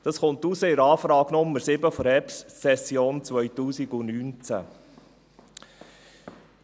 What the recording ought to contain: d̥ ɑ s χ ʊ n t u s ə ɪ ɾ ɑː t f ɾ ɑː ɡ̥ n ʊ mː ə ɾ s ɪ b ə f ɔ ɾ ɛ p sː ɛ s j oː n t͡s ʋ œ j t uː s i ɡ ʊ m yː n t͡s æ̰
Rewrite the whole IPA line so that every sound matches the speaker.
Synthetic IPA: d̥ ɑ s χ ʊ n t u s ə ɪ ɾ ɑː f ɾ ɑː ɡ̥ n ʊ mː ə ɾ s ɪ b ə f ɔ ɾ ɛ p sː ɛ s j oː n t͡s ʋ œ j t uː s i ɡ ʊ n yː n t͡s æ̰